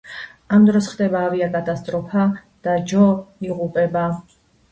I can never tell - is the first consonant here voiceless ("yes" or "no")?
no